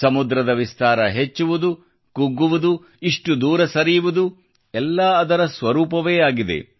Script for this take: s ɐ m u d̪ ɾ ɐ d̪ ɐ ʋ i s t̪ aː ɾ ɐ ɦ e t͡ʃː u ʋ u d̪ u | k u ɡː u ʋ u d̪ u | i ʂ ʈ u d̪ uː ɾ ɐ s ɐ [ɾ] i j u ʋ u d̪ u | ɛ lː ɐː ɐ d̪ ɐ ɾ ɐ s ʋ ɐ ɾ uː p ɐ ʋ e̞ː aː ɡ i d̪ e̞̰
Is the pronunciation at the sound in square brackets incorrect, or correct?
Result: correct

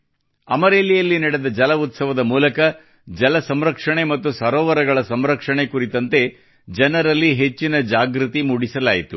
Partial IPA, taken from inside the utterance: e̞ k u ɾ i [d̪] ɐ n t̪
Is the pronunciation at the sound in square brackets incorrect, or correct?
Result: incorrect: t̪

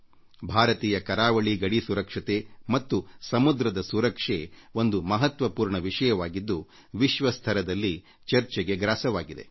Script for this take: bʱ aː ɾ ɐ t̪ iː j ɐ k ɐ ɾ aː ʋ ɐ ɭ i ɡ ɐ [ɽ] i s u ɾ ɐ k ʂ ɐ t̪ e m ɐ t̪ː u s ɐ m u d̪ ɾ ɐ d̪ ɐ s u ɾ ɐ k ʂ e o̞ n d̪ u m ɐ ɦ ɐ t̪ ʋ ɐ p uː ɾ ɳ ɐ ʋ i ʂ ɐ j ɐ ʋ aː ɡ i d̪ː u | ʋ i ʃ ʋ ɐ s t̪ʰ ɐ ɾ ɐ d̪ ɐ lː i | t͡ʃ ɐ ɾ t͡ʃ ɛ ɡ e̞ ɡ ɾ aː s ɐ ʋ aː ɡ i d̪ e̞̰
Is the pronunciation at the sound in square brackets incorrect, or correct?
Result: correct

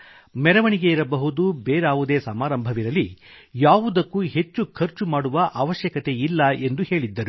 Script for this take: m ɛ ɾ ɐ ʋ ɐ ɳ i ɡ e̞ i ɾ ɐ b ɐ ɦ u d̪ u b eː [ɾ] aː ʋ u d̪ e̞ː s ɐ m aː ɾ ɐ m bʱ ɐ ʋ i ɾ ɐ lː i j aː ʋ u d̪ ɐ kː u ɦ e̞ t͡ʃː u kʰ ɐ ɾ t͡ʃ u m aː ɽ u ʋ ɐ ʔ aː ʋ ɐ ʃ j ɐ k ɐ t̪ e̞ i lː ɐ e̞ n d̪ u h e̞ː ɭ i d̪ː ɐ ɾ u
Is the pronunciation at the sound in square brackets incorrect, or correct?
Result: correct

